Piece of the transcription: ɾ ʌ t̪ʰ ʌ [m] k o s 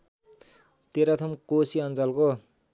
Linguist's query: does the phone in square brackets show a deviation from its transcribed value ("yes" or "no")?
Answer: no